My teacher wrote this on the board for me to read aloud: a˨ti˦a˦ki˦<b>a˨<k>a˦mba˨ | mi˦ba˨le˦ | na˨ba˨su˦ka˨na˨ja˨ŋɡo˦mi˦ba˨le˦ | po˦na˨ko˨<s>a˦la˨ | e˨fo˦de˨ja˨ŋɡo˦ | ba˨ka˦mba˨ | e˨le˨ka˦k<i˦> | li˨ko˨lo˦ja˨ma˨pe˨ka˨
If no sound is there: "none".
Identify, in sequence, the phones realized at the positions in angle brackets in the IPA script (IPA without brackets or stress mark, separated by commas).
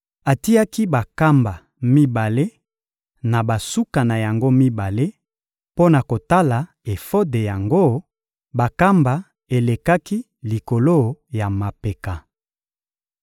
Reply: b, k, t, i˦